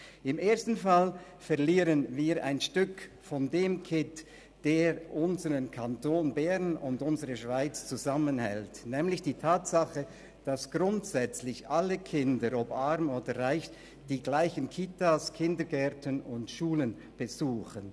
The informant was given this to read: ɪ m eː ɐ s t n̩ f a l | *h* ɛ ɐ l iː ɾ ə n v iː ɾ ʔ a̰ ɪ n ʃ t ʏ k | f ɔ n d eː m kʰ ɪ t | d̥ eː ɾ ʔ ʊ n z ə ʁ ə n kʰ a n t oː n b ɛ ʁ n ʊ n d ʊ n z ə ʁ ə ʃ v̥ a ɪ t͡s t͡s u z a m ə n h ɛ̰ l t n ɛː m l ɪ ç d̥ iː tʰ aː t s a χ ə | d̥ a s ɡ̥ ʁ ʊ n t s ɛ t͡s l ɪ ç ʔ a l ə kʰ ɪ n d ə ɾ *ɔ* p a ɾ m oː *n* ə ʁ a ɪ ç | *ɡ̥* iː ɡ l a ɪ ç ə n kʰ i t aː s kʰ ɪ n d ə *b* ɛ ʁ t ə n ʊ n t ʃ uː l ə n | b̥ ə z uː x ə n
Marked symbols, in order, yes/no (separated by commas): no, yes, no, no, no